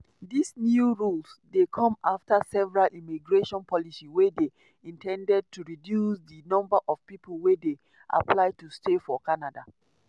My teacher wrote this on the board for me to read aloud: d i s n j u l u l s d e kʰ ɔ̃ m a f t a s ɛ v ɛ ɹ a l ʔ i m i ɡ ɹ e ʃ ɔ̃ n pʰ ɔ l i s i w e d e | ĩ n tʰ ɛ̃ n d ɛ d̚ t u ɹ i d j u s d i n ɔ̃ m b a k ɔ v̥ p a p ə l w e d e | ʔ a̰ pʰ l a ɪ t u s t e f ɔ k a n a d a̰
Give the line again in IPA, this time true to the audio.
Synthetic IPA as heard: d i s n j u ɹ u l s d e kʰ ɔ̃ m a f t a s ɛ v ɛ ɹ a l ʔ i m i ɡ ɹ e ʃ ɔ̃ n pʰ ɔ l i s i w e d e | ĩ n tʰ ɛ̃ n d ɛ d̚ t u ɹ i d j u s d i n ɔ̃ m b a ʔ ɔ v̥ p i p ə l w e d e | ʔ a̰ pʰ l a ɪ t u s t e f ɔ k a n a d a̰